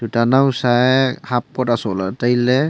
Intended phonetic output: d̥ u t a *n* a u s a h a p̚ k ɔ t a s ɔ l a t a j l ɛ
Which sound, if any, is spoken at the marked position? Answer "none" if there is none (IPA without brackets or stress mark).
n